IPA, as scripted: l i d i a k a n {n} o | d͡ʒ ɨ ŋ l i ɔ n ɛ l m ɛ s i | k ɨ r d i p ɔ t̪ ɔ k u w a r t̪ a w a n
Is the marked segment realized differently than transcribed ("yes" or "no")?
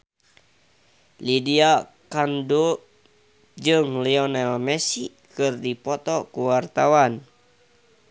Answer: yes